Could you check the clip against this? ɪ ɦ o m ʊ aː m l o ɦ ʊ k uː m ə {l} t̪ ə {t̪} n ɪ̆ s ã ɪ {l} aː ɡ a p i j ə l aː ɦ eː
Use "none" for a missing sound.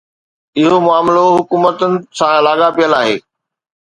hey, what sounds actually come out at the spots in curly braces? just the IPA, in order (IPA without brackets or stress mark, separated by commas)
none, none, l